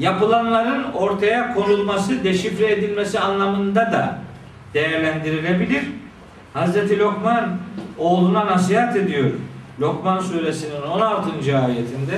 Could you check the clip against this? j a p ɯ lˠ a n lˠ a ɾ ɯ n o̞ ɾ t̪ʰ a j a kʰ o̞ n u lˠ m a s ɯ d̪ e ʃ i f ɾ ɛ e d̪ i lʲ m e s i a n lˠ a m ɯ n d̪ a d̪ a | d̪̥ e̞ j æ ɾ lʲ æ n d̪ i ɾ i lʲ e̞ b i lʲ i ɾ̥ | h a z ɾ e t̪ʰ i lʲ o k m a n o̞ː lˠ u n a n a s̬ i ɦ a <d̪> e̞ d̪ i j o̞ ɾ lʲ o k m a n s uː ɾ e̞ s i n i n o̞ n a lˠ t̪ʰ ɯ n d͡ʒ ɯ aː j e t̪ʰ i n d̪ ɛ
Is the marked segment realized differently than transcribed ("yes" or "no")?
yes